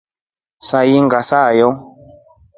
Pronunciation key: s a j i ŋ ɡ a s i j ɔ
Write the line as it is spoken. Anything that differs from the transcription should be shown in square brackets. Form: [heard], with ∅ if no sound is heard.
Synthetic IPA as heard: s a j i ŋ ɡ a s [a] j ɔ